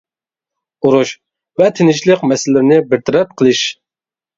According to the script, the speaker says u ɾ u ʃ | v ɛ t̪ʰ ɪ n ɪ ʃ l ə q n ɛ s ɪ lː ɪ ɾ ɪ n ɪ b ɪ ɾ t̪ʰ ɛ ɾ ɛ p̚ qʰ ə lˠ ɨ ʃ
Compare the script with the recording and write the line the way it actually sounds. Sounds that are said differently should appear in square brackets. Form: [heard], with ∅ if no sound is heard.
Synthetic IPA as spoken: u ɾ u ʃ | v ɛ t̪ʰ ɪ n ɪ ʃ l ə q [m] ɛ s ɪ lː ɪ ɾ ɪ n ɪ b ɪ ɾ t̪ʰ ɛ ɾ ɛ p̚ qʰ ə lˠ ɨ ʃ